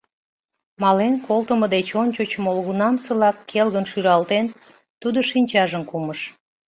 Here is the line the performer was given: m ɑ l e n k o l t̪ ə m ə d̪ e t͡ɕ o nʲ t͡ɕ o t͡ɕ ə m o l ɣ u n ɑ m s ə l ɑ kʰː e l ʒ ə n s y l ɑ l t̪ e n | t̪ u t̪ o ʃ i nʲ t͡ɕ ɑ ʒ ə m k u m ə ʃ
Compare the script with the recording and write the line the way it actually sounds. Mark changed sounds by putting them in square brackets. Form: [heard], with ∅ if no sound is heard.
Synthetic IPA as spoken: m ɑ l e n k o l t̪ ə m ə d̪ e t͡ɕ o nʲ t͡ɕ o t͡ɕ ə m o l ɣ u n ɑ m s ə l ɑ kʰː e l [ɣ] ə n [ʃ] y [ɾ] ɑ l t̪ e n | t̪ u [d̪] o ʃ i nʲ t͡ɕ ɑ ʒ ə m k u m ə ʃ